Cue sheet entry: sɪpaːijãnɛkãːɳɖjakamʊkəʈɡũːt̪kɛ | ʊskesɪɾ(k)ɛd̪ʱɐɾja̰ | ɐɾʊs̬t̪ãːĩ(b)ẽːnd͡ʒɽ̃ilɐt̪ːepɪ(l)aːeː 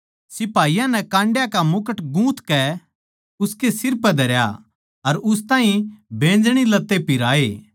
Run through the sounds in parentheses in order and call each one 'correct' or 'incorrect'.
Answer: incorrect: p, correct, incorrect: ɾ

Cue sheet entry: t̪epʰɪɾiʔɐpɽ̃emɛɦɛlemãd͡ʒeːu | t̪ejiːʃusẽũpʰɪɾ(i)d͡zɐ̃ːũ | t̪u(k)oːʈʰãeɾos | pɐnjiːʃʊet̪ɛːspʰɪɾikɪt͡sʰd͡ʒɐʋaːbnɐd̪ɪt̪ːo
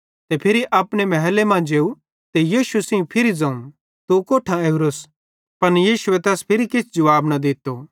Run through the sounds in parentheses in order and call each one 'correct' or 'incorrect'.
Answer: correct, correct

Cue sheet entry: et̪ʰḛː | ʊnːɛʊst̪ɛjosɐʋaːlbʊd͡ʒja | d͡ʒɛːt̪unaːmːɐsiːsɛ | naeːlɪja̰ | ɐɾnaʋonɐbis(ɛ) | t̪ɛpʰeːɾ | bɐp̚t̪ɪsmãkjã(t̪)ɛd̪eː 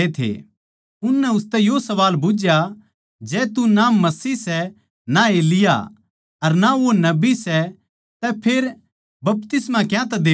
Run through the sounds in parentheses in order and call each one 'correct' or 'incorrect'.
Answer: correct, correct

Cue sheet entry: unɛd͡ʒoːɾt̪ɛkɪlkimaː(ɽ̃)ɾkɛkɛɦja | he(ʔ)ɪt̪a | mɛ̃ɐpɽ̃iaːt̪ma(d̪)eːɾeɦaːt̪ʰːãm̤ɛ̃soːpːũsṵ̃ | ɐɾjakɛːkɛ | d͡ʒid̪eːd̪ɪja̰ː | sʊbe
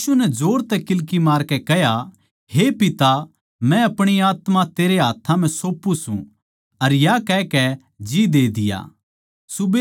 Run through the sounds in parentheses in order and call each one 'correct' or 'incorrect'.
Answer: incorrect: none, incorrect: p, incorrect: t̪

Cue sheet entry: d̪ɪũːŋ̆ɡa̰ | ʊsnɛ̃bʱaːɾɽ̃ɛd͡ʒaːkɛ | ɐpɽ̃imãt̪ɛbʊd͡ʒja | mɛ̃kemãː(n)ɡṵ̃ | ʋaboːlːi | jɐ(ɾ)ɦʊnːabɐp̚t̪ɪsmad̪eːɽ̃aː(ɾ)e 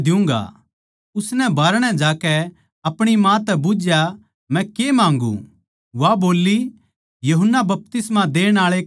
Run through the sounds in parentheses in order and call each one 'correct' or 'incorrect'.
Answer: incorrect: ŋ, incorrect: none, incorrect: ɭ

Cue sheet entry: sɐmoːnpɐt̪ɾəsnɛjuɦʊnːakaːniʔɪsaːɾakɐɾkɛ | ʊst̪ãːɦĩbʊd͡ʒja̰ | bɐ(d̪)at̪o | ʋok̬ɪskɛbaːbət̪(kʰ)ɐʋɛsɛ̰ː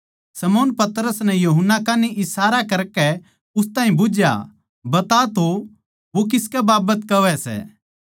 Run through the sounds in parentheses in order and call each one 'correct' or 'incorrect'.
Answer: incorrect: t̪, incorrect: k

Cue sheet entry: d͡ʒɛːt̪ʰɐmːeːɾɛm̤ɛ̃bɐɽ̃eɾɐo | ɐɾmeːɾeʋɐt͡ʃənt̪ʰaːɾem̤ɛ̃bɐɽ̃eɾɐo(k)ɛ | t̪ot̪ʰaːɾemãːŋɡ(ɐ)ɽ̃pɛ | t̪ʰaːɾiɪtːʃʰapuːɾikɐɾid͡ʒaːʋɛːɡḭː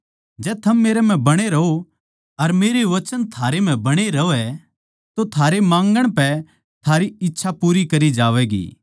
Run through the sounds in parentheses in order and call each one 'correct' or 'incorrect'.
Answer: incorrect: none, incorrect: ə

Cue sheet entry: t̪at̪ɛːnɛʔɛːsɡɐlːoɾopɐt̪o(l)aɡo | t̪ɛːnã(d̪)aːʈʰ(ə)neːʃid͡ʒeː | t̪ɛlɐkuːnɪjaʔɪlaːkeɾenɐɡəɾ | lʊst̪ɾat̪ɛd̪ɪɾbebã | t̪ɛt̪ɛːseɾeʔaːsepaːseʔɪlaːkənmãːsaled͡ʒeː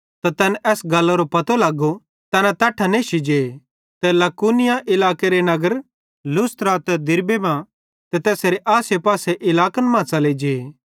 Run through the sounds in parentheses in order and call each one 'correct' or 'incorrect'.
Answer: correct, incorrect: t̪, incorrect: a

